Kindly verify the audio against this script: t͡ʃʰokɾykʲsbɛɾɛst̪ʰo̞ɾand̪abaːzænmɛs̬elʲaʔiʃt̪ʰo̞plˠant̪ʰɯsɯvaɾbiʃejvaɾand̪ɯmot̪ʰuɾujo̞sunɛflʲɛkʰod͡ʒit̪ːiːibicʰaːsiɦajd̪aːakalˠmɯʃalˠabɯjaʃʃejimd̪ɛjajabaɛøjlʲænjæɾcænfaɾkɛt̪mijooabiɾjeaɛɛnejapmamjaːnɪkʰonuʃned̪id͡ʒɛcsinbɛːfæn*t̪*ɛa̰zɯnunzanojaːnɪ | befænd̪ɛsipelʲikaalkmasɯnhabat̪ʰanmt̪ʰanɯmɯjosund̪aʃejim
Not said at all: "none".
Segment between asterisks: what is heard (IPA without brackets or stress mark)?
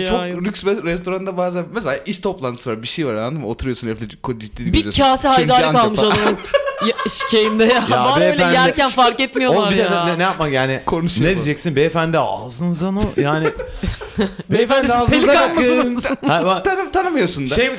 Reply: d̪